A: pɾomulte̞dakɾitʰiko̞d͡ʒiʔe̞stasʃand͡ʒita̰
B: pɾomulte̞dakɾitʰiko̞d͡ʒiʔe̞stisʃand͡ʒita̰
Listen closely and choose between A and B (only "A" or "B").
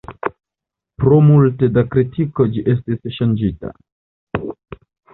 B